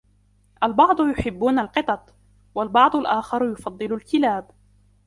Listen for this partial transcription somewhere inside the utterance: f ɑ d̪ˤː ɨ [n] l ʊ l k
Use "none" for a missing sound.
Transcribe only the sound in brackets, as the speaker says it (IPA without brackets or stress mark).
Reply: none